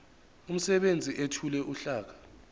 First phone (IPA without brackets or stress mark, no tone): u